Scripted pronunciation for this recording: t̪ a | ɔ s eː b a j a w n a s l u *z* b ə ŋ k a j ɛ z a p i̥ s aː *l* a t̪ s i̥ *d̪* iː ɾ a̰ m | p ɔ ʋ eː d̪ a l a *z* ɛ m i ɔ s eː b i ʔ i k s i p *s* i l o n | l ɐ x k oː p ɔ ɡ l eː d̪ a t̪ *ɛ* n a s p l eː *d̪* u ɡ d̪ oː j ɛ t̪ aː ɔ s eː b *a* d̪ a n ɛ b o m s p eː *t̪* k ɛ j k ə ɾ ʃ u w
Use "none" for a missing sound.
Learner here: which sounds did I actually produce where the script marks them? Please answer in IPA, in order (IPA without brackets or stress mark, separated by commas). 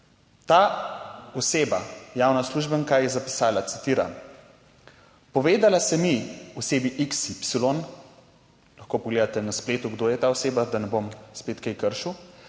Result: ʒ, l, t̪, s, s, ɛ, t̪, a, t̪